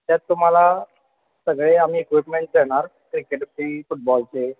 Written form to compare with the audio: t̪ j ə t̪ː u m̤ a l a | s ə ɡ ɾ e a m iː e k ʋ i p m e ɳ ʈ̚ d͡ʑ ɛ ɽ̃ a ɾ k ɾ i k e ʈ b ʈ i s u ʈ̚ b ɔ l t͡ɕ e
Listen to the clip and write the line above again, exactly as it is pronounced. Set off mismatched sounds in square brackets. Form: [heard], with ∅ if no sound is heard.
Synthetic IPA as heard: t̪ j [a] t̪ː u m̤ a l a | s ə ɡ [ɭ] e a m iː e k ʋ i p m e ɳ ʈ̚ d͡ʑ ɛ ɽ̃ a ɾ k ɾ i k e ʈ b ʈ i [f] u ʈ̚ b ɔ l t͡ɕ e